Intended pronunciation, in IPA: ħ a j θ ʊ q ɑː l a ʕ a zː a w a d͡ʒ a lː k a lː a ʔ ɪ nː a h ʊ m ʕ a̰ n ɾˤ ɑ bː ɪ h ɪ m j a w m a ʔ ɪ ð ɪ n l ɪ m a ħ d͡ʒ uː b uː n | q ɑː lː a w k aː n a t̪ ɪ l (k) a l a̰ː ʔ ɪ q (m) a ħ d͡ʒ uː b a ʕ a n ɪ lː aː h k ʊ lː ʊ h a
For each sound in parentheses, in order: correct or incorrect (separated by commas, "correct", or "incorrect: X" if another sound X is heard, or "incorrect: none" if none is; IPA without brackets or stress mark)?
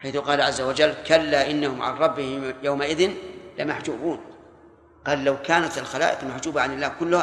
incorrect: x, correct